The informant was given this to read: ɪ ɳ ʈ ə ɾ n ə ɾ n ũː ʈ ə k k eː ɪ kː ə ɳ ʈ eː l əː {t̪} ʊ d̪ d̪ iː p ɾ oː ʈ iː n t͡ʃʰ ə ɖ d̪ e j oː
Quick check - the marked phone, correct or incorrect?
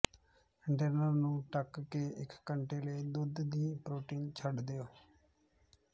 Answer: incorrect